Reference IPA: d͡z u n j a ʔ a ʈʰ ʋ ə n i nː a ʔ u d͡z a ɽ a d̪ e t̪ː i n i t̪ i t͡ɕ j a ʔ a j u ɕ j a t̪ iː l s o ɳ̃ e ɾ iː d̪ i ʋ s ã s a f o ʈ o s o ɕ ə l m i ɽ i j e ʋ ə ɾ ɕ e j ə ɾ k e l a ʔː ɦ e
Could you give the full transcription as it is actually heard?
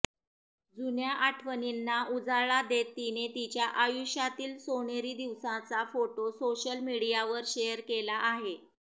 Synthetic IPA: d͡z u n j a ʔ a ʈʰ ʋ ə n i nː a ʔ u d͡z a ɭ a d̪ e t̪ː i n e t̪ i t͡ɕ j a ʔ a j u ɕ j a t̪ iː l s o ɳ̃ e ɾ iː d̪ i ʋ s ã t͡s a f o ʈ o s o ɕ ə l m i ɽ i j a ʋ ə ɾ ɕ e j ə ɾ k e l a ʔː ɦ e

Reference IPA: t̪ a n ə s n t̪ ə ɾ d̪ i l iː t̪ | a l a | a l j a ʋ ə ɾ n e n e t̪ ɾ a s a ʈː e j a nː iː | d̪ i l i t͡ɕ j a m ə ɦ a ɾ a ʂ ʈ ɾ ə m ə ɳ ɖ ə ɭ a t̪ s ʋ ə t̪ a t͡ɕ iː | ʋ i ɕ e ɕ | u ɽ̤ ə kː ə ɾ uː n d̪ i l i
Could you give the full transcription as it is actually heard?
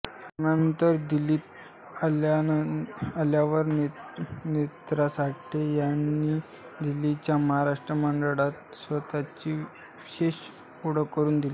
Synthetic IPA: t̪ a n ə n t̪ ə ɾ d̪ i l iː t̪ | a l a | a l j a ʋ ə ɾ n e n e t̪ ɾ a s a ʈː e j a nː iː | d̪ i l i t͡ɕ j a m ə ɦ a ɾ a ʂ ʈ ɾ ə m ə ɳ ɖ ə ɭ a t̪ s ʋ ə t̪ a t͡ɕ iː | ʋ i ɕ e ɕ | u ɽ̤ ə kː ə ɾ uː n d̪ i l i

